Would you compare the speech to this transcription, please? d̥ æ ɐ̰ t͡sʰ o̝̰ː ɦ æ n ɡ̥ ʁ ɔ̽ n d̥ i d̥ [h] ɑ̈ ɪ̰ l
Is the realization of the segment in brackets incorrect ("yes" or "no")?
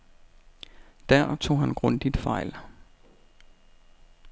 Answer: yes